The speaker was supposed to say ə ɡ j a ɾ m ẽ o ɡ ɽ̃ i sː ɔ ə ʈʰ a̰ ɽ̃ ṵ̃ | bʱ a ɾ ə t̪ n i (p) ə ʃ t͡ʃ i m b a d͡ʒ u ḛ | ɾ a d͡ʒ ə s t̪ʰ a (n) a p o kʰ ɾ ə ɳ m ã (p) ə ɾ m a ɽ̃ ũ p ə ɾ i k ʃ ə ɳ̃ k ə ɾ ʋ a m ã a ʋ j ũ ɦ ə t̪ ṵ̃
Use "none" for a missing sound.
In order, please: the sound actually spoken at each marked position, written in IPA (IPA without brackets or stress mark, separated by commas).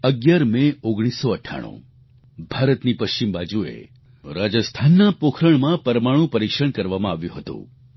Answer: p, nː, p